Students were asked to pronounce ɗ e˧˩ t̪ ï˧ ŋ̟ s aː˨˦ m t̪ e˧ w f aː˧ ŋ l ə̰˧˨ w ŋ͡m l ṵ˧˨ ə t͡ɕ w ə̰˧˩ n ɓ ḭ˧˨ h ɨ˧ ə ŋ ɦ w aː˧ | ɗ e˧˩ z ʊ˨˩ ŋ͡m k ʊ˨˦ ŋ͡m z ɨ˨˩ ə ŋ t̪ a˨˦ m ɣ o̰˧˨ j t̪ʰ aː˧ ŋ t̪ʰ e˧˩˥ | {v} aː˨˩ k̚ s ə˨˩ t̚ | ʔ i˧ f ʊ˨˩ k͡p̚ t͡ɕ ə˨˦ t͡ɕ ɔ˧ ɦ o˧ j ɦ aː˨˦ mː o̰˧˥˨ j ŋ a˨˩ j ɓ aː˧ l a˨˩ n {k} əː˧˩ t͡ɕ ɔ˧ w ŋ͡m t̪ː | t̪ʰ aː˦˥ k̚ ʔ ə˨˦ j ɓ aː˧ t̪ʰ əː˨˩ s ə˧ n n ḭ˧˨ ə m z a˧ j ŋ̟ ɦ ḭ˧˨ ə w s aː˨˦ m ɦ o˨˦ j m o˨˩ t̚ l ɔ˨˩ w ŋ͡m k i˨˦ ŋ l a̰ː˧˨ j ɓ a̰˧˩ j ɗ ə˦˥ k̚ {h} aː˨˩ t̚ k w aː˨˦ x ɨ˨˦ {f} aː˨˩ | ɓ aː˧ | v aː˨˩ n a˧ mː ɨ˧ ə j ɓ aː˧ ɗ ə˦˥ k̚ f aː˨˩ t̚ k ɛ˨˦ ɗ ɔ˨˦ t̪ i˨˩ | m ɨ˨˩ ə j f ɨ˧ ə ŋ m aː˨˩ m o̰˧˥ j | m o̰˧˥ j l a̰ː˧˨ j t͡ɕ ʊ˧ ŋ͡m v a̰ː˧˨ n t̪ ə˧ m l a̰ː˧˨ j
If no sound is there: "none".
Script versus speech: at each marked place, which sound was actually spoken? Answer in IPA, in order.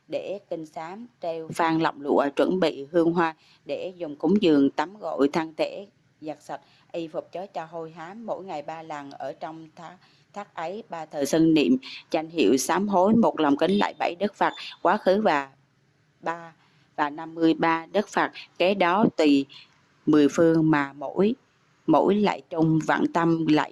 z, ʔ, f, v

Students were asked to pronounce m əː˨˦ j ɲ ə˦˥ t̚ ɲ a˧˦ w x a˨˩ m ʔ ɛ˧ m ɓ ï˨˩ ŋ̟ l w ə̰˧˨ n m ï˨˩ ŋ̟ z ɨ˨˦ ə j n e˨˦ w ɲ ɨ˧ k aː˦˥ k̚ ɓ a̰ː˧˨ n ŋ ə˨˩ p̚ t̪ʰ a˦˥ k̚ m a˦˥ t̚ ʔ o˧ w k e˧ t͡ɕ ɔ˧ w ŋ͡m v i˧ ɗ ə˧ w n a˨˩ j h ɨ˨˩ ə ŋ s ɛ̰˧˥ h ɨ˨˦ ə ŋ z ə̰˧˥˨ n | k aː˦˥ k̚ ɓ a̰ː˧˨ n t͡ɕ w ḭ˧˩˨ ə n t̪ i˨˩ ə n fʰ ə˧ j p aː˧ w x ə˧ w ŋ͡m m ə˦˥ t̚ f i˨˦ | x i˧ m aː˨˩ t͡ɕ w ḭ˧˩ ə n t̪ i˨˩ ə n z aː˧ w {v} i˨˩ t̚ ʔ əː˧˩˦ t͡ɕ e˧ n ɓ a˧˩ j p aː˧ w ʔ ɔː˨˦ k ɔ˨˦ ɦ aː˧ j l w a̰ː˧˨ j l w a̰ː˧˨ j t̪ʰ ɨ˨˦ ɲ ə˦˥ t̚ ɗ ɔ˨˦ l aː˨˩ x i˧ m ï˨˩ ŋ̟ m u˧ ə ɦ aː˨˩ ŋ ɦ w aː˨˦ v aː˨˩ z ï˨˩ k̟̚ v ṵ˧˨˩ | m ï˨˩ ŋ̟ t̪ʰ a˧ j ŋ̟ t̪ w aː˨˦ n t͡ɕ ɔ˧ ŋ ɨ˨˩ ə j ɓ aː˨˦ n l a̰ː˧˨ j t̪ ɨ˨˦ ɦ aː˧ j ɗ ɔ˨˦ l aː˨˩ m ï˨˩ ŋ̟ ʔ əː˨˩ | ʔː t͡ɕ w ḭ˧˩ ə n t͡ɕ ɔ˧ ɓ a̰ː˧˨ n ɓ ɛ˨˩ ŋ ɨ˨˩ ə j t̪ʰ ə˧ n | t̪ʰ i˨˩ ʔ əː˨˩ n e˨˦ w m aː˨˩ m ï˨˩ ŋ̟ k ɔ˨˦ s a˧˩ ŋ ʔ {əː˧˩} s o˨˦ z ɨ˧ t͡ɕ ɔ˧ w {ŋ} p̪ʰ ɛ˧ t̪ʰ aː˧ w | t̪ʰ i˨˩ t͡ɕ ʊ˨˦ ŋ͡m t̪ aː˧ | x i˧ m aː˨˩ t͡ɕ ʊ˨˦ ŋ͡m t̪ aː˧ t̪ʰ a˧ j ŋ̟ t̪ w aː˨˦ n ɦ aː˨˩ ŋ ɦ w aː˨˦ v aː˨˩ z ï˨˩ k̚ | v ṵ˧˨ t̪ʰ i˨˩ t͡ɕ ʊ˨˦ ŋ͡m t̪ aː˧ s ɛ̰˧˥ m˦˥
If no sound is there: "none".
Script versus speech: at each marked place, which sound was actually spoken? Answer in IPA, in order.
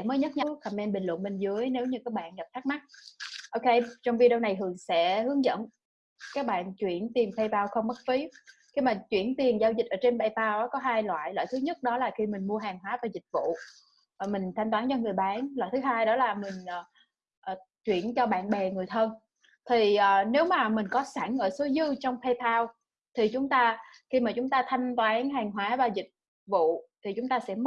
z, əː˧˩, ŋ͡m

